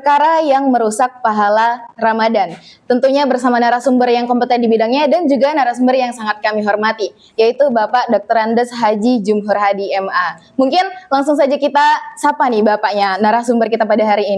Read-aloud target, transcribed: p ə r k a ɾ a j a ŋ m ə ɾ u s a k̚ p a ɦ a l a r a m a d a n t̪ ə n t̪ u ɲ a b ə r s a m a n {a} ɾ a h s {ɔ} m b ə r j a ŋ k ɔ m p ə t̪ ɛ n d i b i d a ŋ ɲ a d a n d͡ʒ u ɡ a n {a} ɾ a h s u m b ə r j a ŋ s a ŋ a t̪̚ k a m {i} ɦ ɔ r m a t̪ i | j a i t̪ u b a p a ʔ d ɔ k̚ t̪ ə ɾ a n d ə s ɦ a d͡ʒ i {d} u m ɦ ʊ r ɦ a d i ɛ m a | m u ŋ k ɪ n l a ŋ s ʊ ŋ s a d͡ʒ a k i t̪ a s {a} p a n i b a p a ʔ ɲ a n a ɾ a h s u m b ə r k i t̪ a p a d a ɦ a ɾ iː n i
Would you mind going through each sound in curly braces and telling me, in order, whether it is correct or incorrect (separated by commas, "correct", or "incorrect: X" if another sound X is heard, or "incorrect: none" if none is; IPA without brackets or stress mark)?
correct, incorrect: u, correct, correct, incorrect: d͡ʒ, correct